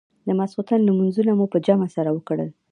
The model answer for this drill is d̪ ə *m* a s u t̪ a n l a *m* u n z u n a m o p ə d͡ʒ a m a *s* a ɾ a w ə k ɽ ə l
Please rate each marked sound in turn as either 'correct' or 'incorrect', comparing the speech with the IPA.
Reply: correct, correct, correct

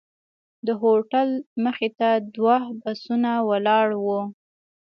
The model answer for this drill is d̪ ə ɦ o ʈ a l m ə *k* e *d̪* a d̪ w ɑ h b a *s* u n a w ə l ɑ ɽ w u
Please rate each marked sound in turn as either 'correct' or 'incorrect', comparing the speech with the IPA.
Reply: incorrect, incorrect, correct

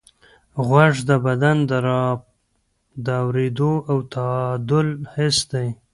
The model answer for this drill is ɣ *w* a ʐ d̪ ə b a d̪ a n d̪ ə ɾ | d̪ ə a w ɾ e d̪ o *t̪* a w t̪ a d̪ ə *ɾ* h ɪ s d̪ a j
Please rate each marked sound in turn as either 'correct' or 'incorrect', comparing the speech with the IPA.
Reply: correct, incorrect, incorrect

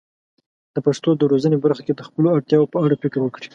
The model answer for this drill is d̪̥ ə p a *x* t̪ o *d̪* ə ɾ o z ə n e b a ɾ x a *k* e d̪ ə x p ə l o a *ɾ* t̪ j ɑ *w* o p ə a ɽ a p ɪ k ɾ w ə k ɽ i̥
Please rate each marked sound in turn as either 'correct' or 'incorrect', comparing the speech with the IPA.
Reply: incorrect, correct, correct, incorrect, correct

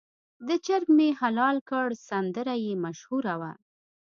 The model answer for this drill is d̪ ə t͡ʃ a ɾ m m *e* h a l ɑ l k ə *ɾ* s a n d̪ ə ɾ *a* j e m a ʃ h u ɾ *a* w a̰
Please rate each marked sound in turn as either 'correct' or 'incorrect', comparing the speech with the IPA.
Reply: correct, incorrect, correct, correct

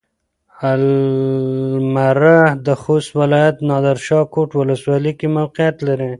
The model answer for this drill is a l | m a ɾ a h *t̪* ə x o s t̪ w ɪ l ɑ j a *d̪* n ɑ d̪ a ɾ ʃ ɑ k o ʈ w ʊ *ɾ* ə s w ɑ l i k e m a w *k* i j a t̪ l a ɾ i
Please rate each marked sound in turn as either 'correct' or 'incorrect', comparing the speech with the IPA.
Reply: incorrect, incorrect, incorrect, incorrect

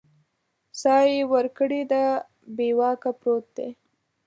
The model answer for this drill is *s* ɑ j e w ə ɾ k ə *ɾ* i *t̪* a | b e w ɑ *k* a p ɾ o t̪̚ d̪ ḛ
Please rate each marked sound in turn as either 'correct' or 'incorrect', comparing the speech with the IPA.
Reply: correct, incorrect, incorrect, correct

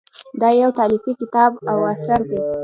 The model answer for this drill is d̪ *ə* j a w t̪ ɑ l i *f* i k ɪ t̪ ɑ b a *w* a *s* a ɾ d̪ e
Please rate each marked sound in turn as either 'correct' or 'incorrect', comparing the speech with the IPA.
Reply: incorrect, correct, correct, correct

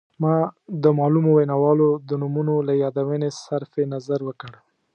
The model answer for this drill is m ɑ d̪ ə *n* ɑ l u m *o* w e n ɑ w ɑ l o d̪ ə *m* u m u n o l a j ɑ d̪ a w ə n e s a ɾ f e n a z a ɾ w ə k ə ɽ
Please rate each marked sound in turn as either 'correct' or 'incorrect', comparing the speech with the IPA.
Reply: incorrect, correct, incorrect

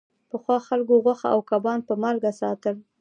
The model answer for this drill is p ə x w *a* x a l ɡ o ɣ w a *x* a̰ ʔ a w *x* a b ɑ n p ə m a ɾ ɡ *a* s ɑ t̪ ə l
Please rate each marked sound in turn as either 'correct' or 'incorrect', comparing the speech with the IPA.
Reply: incorrect, correct, incorrect, correct

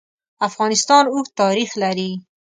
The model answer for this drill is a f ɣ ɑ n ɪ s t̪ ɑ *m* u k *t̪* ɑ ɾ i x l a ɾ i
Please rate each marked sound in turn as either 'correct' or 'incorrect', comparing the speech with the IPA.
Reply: incorrect, correct

